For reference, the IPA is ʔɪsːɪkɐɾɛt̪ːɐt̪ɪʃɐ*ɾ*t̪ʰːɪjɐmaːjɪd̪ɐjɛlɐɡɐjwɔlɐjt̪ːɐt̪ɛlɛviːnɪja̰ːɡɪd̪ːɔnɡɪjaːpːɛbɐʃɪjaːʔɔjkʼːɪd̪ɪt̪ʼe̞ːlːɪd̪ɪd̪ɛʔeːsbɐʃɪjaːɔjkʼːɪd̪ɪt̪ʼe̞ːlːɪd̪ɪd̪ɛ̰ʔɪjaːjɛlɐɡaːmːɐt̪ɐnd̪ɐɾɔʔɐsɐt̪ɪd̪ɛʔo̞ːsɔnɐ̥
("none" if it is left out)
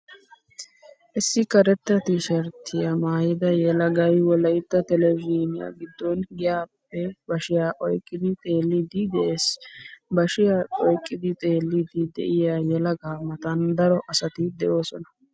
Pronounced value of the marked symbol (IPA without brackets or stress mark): ɾ